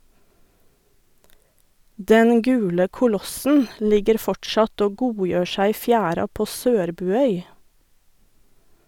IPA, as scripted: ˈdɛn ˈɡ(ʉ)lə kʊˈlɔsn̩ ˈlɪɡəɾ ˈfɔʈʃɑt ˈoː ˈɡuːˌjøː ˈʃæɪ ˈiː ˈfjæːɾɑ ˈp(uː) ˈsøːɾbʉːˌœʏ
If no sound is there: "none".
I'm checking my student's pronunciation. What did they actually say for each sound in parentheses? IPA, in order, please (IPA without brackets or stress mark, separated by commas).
ʉː, oː